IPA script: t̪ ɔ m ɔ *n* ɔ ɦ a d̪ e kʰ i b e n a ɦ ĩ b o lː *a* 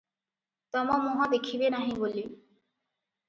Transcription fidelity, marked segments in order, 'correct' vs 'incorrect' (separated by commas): incorrect, incorrect